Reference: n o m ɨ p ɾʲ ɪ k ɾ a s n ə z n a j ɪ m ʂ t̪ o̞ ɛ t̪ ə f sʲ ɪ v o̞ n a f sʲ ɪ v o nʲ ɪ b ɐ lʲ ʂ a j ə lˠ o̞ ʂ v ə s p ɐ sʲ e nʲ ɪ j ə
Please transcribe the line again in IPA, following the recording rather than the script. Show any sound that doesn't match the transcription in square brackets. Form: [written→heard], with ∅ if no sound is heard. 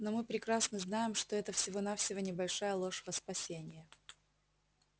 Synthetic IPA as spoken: n o m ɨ p ɾʲ ɪ k ɾ a s n ə z n a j ɪ m ʂ t̪ o̞ ɛ t̪ ə f sʲ ɪ v o̞ n a f sʲ ɪ v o nʲ ɪ b ɐ lʲ ʂ a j ə lˠ o̞ ʂ v ə s p ɐ sʲ e nʲ ɪ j ə